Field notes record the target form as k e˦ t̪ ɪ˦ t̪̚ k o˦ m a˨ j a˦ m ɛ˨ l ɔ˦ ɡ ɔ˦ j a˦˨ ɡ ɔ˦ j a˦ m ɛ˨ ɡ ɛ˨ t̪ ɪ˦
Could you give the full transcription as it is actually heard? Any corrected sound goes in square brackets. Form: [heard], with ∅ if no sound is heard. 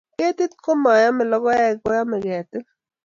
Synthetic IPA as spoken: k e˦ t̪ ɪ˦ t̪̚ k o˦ m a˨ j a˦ m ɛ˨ l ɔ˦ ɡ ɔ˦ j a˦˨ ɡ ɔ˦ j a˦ m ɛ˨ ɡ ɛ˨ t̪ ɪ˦